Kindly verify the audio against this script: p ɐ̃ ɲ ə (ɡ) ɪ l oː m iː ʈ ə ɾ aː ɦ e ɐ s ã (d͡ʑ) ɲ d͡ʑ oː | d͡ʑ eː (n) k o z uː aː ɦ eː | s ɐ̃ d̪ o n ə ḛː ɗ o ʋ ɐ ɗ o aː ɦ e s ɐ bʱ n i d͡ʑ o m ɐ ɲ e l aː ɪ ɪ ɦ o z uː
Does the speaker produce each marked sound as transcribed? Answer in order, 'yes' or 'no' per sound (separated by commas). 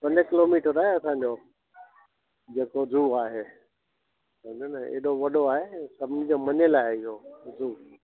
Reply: no, no, no